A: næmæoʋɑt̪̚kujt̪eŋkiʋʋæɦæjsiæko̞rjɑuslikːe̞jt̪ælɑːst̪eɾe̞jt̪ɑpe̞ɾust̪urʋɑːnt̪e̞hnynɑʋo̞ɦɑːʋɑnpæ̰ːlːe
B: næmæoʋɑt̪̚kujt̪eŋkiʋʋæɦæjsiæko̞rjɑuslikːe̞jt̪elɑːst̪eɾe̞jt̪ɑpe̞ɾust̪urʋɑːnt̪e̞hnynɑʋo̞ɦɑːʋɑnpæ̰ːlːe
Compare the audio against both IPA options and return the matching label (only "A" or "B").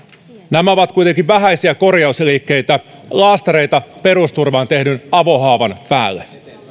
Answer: A